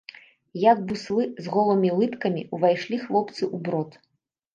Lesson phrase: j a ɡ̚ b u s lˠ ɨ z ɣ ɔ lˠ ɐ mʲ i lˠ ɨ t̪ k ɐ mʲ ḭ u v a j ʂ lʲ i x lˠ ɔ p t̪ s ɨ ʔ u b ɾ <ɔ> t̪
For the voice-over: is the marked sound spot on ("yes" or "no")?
yes